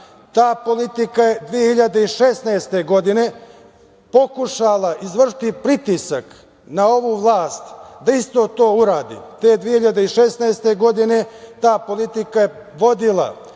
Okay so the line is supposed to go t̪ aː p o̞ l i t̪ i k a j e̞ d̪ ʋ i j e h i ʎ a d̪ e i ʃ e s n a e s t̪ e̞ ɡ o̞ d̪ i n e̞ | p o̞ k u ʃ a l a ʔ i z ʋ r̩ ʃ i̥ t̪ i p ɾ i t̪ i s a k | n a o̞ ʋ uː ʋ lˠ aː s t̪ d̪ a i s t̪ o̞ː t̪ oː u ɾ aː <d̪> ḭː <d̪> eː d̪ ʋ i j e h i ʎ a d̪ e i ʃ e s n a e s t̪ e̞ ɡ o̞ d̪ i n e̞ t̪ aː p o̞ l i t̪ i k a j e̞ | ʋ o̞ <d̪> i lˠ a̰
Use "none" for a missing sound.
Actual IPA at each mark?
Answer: d̪, t̪, d̪

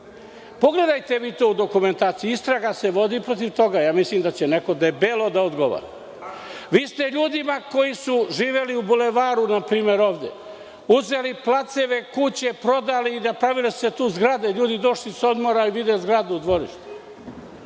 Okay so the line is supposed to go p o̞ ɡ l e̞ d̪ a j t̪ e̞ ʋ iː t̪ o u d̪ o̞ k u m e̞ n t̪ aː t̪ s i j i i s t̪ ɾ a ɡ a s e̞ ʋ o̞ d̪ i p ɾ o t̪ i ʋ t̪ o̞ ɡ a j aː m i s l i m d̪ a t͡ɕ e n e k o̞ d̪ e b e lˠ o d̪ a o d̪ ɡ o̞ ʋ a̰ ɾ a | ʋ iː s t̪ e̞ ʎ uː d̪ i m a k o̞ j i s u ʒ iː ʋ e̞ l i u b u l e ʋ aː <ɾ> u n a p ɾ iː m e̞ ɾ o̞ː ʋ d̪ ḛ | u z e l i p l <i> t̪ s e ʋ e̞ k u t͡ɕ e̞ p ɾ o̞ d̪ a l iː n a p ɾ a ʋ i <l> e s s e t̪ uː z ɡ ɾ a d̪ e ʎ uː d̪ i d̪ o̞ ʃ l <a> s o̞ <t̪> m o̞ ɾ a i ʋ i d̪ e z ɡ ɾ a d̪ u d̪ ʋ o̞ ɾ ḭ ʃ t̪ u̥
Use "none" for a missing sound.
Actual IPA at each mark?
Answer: ɾ, a, l, i, d̪

